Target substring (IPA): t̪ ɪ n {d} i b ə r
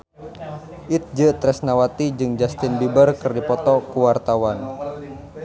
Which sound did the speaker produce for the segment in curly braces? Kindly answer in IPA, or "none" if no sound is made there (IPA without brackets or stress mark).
b